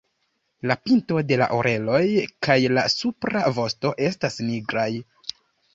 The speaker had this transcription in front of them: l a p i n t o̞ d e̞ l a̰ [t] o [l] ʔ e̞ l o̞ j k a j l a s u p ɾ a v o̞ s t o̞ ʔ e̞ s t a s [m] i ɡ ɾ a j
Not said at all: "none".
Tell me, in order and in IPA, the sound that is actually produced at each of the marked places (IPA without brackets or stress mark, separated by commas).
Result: ʔ, ɾ, n